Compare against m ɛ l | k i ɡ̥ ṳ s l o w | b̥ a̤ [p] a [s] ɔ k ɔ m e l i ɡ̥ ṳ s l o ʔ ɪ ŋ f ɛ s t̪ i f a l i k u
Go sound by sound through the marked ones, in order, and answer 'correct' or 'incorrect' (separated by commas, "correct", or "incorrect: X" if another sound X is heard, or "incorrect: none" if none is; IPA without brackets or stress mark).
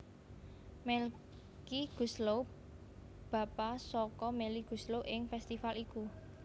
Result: correct, correct